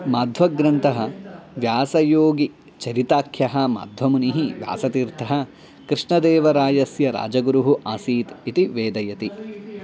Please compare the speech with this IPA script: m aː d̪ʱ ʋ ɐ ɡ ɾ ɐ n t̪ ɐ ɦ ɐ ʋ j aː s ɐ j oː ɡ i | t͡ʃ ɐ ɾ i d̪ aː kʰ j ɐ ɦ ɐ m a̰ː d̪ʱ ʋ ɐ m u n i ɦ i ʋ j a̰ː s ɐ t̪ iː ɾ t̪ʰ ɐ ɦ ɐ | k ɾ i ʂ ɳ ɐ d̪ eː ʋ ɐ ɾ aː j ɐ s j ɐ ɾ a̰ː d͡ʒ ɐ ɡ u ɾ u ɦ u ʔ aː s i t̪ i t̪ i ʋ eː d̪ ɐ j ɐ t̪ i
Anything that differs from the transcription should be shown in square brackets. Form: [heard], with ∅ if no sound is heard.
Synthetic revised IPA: m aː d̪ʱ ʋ ɐ ɡ ɾ ɐ n t̪ ɐ ɦ ɐ ʋ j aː s ɐ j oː ɡ i | t͡ʃ ɐ ɾ i [t̪] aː kʰ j ɐ ɦ ɐ m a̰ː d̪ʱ ʋ ɐ m u n i ɦ i ʋ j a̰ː s ɐ t̪ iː ɾ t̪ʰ ɐ ɦ ɐ | k ɾ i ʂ ɳ ɐ d̪ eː ʋ ɐ ɾ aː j ɐ s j ɐ ɾ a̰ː d͡ʒ ɐ ɡ u ɾ u ɦ u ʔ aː s [iː] t̪ i t̪ i ʋ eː d̪ ɐ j ɐ t̪ i